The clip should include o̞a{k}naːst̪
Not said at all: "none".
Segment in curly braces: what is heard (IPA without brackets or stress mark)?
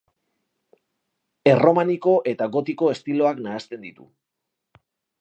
k